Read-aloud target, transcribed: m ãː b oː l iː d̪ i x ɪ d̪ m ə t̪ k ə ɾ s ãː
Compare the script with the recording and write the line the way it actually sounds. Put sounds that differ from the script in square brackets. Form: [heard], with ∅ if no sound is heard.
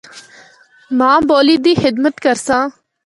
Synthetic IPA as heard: m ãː b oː l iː d̪ [iː] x ɪ d̪ m ə t̪ k ə ɾ s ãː

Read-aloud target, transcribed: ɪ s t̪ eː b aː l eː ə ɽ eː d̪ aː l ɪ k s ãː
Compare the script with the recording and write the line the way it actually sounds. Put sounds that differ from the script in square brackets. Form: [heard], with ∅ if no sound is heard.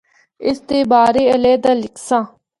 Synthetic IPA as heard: ɪ s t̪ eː b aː [ɾ] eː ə [l] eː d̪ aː l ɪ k s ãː

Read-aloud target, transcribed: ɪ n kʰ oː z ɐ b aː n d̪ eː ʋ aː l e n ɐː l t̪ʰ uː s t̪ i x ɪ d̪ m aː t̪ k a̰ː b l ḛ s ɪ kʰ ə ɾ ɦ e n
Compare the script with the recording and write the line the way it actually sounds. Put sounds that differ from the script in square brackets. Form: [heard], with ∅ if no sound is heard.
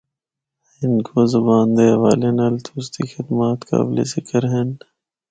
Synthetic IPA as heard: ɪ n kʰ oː z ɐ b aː n d̪ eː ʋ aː l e n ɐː l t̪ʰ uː s t̪ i x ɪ d̪ m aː t̪ k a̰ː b l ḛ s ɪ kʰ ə ɾ ɦ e n

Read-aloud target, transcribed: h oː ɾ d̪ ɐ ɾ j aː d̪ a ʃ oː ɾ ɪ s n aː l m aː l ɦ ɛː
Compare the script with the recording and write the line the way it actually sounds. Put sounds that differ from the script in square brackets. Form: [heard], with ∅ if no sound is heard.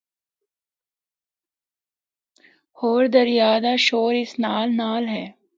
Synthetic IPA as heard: h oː ɾ d̪ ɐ ɾ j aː d̪ a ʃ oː ɾ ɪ s n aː l [n] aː l ɦ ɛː

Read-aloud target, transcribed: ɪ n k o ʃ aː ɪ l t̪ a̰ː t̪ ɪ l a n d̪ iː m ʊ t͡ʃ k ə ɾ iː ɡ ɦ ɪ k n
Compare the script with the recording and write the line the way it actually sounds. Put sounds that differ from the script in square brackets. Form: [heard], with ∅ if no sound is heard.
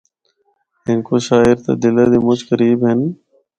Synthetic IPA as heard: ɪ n k o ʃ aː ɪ [ɾ] t̪ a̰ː [d̪] ɪ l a [∅] d̪ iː m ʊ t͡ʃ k ə ɾ iː [b] ɦ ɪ [∅] n

